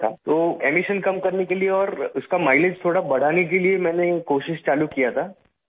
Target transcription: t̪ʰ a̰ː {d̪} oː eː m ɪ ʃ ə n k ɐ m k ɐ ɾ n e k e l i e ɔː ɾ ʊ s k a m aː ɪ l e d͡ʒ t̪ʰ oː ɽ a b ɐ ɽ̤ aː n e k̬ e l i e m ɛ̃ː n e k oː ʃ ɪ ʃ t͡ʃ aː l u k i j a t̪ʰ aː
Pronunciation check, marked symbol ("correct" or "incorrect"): incorrect